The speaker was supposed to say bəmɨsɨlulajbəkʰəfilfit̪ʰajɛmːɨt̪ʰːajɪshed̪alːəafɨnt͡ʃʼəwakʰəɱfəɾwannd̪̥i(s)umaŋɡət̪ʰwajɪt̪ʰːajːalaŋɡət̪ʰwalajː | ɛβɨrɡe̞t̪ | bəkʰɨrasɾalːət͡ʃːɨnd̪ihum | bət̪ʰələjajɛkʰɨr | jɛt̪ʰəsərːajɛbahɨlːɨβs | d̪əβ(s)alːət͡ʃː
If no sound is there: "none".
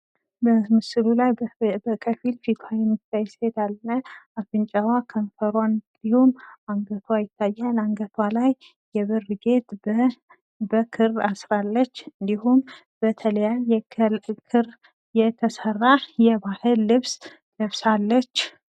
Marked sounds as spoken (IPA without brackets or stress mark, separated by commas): h, s